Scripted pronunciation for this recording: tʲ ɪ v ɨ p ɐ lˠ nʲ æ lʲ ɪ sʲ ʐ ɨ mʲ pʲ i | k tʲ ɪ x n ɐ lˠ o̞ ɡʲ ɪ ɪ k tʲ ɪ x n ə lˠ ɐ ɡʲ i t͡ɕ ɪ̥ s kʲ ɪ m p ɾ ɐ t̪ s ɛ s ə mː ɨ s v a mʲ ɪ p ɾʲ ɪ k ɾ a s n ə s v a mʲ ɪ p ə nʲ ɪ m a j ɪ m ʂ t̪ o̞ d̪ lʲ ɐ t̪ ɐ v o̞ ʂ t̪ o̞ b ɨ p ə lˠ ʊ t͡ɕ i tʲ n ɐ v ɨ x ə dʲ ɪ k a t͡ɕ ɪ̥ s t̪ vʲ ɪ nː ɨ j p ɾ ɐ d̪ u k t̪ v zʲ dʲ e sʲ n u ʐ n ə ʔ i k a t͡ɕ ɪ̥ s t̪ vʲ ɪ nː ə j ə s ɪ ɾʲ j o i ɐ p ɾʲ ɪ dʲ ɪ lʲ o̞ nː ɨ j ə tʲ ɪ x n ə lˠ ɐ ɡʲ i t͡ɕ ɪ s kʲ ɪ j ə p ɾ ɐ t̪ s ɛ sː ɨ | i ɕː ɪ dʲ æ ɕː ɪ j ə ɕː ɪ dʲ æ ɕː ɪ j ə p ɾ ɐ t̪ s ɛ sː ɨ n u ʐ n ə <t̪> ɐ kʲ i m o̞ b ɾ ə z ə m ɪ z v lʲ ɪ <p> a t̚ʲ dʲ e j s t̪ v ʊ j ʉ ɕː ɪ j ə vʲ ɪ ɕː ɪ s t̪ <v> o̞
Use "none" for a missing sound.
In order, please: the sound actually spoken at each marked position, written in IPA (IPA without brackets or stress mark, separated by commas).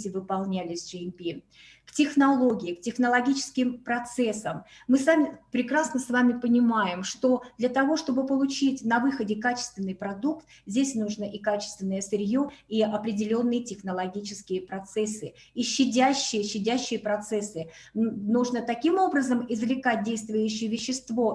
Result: t̪, k, v